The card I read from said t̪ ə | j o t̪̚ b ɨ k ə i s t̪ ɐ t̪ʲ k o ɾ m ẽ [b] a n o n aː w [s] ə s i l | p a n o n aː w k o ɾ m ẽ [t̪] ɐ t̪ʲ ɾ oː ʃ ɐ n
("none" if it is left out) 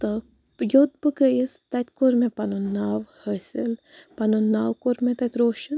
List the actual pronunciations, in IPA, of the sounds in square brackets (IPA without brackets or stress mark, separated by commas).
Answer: p, h, t̪